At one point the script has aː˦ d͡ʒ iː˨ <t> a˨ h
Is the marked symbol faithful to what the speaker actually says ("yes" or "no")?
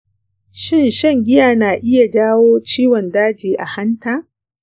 no